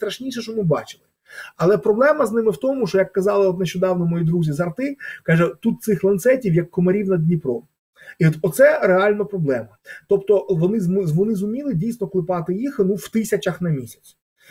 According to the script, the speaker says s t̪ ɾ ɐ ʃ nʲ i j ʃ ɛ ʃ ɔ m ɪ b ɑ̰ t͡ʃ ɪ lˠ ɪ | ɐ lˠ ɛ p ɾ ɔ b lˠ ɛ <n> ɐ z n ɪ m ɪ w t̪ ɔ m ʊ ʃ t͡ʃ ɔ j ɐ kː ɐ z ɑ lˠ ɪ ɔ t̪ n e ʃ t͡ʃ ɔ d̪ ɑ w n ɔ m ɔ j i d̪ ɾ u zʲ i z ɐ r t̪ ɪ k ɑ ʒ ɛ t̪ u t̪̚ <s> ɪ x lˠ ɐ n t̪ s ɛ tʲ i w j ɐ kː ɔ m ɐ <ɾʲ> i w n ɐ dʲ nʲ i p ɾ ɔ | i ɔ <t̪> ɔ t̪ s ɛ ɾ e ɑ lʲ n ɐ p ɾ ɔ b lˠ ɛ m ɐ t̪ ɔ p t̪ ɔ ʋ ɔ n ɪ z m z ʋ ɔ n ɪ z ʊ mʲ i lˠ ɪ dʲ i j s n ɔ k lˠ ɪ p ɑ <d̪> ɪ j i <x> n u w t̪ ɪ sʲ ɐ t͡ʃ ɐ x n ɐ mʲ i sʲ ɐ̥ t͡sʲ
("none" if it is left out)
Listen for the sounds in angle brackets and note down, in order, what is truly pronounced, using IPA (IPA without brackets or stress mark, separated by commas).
m, s, ɾʲ, t̪, t̪, x